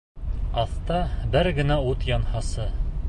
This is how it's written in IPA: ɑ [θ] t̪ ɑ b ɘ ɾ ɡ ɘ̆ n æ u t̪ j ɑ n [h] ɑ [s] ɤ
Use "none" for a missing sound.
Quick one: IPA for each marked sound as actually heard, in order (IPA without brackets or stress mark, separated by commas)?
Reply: θ, h, s